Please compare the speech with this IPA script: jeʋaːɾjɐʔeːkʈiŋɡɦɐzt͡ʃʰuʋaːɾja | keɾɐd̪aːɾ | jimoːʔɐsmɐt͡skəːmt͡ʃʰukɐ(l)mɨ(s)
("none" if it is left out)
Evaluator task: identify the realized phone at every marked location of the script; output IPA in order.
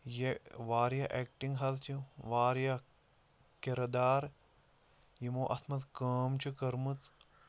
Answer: ɾ, t͡s

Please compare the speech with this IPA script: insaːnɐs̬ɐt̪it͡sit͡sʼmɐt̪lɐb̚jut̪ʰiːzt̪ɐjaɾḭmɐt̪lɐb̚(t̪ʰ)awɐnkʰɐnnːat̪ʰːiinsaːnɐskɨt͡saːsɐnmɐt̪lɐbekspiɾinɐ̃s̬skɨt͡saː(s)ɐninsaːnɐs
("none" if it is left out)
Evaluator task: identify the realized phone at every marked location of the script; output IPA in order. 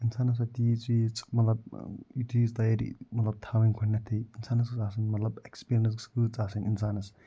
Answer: t̪ʰ, s

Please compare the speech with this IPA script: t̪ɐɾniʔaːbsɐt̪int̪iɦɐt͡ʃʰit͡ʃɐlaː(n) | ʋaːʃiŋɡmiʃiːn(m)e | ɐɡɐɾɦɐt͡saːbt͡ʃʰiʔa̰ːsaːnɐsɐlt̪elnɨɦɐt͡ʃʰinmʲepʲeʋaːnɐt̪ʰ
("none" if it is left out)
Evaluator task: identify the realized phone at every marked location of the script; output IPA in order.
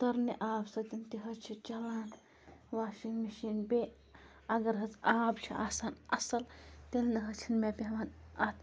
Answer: n, b

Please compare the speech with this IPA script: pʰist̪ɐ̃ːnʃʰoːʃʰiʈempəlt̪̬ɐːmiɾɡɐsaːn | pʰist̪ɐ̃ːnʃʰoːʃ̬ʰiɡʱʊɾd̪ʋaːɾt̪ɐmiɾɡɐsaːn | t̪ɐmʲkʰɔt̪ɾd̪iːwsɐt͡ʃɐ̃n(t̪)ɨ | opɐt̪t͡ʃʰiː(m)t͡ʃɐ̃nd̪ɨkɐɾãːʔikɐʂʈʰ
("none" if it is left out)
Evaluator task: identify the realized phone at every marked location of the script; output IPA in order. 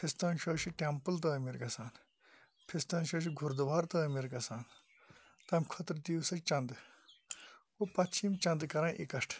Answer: d̪, m

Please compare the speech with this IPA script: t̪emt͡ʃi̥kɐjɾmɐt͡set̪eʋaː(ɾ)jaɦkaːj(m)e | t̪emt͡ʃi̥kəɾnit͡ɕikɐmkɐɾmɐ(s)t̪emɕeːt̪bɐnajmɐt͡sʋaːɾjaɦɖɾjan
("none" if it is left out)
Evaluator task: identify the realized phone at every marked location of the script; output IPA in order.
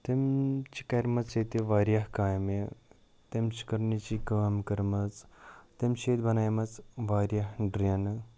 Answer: ɾ, m, t͡s

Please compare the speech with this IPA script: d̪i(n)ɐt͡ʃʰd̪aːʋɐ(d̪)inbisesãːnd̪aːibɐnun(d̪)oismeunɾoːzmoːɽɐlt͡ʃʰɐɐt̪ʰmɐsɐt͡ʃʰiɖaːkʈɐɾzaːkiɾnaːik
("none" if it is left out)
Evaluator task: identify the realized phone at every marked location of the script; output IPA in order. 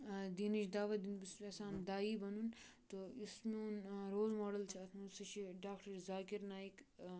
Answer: n, d̪, t̪

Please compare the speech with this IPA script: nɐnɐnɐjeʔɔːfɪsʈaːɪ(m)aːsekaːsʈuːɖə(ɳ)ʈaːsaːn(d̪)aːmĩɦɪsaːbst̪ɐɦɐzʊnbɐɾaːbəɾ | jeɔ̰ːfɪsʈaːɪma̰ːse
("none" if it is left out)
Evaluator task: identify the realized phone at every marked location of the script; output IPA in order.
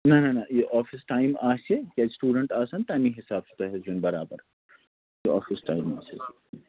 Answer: m, ɳ, t̪

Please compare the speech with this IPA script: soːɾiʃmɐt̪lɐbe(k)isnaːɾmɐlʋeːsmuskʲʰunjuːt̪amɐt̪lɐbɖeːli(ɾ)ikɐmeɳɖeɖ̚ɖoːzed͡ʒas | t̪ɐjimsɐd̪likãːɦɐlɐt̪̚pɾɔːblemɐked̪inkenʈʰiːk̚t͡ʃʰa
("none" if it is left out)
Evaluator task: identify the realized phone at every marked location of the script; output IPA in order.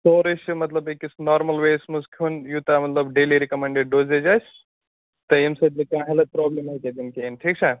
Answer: k, ɾ

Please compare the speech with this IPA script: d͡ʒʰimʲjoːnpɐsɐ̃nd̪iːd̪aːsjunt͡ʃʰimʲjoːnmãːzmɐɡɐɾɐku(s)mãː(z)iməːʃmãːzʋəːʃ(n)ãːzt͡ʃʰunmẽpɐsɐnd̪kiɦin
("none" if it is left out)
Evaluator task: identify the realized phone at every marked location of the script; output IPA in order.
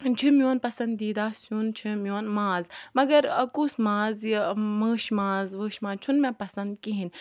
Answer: s, z, m

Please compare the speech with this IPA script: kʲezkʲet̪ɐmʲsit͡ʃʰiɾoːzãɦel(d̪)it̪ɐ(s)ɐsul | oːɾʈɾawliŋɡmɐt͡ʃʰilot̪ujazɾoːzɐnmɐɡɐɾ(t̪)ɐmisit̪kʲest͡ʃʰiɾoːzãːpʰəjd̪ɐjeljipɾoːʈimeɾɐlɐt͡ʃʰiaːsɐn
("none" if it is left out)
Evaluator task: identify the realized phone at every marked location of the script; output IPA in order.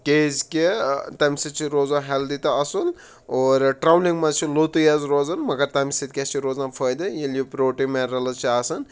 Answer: d̪, none, t̪

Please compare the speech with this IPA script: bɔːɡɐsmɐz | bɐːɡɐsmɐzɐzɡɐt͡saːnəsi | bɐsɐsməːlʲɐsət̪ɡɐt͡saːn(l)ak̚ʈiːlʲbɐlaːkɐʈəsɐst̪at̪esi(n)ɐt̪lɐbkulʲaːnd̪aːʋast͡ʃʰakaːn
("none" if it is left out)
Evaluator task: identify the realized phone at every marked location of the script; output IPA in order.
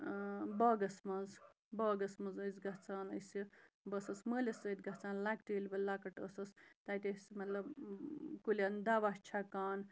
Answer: l, m

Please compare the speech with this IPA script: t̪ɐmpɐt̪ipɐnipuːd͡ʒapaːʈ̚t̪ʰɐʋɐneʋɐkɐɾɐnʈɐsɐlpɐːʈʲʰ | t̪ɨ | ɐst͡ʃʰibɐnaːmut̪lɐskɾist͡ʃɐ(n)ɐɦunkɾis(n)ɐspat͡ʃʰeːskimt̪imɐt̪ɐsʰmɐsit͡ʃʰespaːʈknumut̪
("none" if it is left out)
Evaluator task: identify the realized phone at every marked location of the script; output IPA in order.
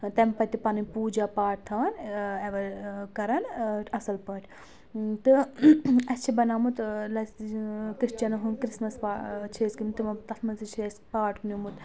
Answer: n, m

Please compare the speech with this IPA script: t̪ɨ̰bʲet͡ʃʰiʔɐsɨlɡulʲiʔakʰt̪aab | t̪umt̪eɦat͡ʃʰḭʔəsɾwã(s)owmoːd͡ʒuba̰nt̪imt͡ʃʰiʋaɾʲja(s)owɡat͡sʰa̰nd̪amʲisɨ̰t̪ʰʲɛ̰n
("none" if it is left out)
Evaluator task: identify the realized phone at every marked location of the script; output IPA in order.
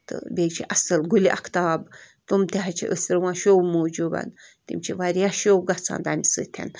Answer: ʃ, ʃ

